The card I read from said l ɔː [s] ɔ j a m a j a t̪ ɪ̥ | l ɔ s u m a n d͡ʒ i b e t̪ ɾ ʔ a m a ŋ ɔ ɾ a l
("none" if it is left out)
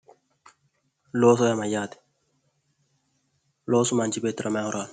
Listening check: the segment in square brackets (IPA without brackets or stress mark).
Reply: s